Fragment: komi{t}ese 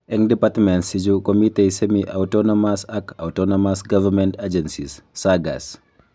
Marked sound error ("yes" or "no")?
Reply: no